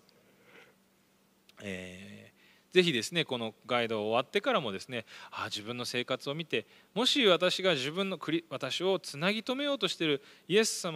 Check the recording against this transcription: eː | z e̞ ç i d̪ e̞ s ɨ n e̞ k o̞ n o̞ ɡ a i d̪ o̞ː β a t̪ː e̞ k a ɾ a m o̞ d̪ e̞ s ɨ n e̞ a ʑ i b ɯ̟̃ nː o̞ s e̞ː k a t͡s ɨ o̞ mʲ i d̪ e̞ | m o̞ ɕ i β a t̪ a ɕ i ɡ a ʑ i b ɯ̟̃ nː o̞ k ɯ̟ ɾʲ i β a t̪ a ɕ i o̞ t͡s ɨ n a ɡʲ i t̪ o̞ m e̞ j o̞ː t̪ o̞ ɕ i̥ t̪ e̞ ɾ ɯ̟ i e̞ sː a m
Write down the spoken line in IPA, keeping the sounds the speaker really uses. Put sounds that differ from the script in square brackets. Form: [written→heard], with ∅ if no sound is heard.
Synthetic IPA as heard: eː | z e̞ ç i d̪ e̞ s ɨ n e̞ k o̞ n o̞ ɡ a i d̪ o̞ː β a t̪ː e̞ k a ɾ a m o̞ d̪ e̞ s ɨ n e̞ a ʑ i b ɯ̟̃ nː o̞ s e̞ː k a t͡s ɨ o̞ mʲ i [d̪→t̪] e̞ | m o̞ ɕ i β a t̪ a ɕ i ɡ a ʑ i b ɯ̟̃ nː o̞ k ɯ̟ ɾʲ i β a t̪ a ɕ i o̞ t͡s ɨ n a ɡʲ i t̪ o̞ m e̞ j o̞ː t̪ o̞ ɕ i̥ t̪ e̞ ɾ ɯ̟ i e̞ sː a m